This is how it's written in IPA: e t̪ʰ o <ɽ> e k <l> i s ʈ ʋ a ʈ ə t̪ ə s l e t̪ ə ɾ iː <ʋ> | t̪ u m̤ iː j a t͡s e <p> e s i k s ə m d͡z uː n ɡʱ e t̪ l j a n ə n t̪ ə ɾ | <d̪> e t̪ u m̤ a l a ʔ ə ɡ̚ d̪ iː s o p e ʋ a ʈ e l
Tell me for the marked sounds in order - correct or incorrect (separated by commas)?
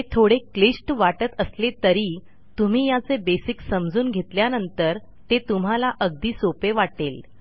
correct, correct, incorrect, incorrect, incorrect